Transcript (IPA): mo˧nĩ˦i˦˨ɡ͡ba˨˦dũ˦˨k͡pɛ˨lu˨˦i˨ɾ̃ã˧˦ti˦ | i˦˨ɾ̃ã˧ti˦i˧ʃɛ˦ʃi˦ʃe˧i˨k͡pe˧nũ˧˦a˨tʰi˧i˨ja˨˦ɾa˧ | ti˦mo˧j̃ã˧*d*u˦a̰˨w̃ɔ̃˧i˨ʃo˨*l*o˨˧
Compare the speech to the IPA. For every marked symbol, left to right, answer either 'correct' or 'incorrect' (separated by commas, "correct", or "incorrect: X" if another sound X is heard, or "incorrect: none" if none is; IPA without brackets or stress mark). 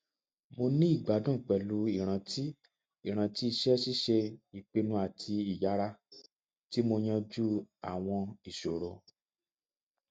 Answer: incorrect: d͡ʒ, incorrect: ɾ